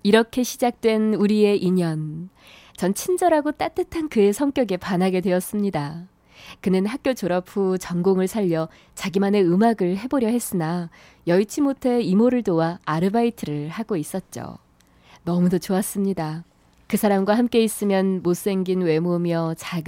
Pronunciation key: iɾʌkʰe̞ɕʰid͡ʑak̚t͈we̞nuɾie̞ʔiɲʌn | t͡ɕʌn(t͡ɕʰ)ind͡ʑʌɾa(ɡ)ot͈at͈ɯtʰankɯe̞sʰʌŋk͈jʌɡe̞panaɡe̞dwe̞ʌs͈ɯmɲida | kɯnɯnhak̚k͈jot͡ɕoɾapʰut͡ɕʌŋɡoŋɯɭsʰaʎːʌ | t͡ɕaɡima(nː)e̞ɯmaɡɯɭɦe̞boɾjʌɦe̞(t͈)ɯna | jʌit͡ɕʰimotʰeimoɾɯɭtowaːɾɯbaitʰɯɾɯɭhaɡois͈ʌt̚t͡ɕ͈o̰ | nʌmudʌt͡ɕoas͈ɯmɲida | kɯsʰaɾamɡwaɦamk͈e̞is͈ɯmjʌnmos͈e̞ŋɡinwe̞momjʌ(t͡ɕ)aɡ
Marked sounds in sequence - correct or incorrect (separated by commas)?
correct, correct, incorrect, incorrect, correct